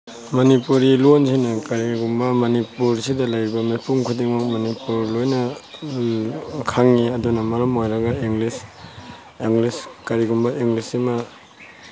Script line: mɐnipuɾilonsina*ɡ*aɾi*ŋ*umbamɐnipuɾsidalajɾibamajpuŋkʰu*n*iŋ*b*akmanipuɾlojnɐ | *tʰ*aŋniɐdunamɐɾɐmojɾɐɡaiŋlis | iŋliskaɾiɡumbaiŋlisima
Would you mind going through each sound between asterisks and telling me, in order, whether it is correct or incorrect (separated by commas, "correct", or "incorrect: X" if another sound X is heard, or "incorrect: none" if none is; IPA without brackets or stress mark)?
incorrect: k, incorrect: ɡ, incorrect: d, incorrect: m, incorrect: kʰ